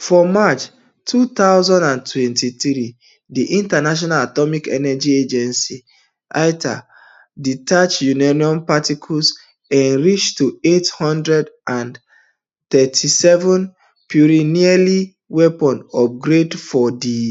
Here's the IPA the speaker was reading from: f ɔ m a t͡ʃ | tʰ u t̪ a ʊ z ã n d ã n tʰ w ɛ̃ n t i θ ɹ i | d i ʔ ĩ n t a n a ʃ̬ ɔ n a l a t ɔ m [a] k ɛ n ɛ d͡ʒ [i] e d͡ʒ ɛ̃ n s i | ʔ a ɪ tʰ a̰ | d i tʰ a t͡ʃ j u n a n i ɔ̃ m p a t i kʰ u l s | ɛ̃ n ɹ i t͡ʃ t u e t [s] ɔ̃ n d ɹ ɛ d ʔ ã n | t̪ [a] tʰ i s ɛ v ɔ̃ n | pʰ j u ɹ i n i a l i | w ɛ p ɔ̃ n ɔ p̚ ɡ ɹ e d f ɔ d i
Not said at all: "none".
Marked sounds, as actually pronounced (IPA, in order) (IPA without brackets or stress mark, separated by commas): i, i, h, ɛ